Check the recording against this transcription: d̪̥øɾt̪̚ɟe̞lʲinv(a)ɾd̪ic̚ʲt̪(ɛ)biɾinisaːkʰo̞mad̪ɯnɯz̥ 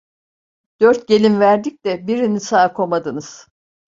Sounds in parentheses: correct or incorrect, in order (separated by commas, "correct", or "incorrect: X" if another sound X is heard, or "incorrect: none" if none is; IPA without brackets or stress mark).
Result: incorrect: æ, correct